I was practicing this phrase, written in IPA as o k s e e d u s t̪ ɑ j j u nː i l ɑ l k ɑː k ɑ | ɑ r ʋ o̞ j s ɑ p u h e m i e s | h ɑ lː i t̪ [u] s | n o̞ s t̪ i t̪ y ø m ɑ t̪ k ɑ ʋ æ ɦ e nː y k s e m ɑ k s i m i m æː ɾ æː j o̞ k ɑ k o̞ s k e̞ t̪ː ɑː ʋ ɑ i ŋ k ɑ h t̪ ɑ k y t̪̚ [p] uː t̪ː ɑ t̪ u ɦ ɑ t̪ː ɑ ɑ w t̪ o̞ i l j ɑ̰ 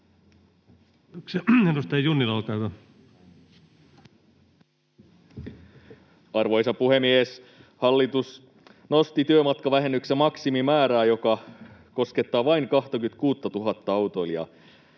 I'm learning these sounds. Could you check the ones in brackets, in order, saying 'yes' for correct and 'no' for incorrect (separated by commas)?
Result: yes, no